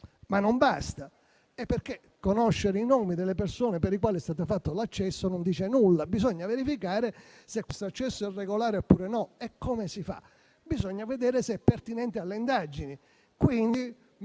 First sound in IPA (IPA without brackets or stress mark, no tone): m